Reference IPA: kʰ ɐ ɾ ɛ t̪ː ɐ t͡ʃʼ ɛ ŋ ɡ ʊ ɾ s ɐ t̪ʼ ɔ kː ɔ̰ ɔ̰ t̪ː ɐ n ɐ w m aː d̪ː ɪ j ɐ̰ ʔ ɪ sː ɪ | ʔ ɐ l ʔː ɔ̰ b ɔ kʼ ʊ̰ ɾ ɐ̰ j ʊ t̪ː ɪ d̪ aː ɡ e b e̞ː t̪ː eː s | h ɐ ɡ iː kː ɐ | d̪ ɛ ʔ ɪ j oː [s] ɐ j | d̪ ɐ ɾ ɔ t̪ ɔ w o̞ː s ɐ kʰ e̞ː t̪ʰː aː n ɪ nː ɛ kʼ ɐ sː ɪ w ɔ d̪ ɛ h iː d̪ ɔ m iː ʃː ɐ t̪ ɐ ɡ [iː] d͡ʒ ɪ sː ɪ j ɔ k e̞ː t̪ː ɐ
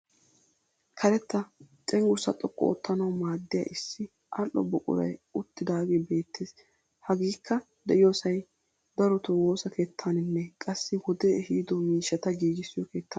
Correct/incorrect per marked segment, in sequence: correct, correct

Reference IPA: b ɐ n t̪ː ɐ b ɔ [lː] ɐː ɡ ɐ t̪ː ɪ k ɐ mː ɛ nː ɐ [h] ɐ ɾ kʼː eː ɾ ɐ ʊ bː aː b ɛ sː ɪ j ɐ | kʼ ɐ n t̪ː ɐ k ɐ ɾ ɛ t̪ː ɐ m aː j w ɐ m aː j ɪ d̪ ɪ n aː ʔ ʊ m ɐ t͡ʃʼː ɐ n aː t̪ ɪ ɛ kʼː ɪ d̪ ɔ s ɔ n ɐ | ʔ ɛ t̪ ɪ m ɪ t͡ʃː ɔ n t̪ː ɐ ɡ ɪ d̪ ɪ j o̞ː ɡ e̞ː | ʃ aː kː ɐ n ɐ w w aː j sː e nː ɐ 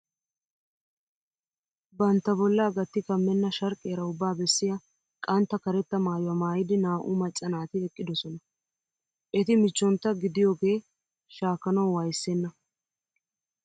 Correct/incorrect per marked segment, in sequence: correct, incorrect: ʃ

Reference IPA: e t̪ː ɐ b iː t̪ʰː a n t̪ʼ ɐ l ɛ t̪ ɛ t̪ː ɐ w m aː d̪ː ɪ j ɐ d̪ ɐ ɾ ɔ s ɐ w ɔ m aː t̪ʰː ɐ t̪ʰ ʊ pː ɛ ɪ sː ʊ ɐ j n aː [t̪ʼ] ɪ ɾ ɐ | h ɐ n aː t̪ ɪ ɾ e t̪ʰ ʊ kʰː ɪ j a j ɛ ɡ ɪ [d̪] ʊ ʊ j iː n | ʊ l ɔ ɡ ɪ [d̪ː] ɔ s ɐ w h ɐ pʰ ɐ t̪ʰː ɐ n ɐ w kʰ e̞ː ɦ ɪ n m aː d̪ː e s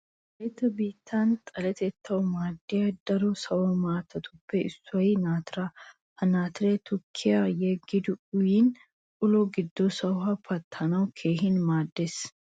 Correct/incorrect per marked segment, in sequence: incorrect: t̪, correct, correct

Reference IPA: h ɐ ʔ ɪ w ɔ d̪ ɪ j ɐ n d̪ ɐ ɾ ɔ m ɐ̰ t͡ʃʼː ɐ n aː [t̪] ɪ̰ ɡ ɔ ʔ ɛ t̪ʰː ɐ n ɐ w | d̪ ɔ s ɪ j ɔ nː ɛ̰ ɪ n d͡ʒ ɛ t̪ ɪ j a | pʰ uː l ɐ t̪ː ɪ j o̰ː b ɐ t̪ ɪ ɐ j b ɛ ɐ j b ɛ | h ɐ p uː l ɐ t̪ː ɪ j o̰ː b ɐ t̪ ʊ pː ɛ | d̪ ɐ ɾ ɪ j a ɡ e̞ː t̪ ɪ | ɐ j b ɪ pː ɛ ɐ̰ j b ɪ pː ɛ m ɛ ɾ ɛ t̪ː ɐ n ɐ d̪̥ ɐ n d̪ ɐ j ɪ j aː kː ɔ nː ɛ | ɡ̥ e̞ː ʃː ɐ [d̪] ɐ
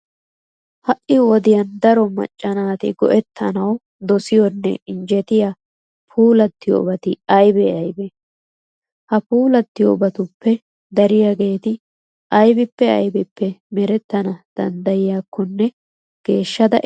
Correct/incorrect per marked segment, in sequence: correct, correct

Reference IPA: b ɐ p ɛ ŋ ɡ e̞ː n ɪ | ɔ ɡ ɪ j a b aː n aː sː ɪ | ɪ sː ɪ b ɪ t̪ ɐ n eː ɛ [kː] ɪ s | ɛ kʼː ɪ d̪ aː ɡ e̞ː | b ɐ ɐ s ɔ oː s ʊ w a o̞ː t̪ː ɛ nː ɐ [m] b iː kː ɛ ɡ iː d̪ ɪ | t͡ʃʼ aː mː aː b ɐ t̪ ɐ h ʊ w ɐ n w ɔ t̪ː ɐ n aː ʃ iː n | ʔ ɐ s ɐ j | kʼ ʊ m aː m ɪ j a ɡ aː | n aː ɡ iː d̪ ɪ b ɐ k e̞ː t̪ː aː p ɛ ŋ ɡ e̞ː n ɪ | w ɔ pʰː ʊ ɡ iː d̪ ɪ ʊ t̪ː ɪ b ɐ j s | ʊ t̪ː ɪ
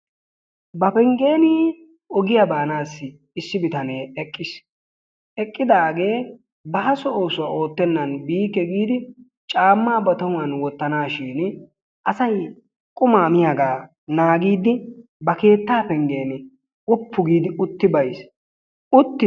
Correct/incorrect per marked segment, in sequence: incorrect: kʼː, incorrect: n

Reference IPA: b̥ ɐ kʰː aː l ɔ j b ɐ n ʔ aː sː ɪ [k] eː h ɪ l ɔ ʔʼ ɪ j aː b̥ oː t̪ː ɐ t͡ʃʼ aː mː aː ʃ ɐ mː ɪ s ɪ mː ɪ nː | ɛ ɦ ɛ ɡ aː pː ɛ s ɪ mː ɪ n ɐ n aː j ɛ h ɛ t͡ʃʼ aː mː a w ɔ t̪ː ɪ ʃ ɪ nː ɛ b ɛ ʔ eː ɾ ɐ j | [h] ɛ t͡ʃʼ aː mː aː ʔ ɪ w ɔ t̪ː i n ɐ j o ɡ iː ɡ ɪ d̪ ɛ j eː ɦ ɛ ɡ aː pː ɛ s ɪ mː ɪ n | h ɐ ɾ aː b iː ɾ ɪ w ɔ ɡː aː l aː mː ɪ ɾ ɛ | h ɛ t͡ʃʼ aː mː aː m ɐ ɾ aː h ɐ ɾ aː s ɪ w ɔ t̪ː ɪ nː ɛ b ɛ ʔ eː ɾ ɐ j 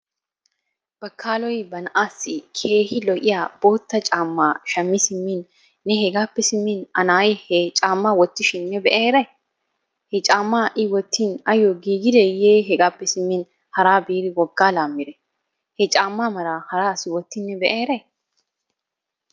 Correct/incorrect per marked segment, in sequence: incorrect: kʰ, correct

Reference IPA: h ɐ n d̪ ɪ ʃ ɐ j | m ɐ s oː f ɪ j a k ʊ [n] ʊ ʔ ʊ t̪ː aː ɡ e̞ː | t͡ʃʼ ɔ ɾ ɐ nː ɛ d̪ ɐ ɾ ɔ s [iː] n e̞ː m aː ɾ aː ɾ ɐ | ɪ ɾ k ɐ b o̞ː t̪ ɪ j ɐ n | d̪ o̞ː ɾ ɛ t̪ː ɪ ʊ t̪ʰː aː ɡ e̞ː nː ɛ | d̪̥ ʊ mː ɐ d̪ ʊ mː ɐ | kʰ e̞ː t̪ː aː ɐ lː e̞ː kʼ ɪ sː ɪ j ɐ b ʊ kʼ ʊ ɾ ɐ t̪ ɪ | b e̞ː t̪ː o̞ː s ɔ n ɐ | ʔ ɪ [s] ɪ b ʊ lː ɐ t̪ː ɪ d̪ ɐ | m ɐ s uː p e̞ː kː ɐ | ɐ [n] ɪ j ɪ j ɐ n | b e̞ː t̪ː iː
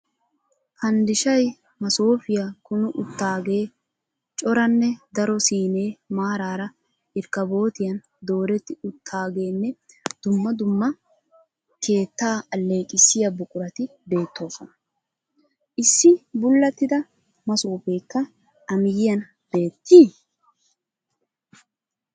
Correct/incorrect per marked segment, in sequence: correct, correct, incorrect: sː, incorrect: m

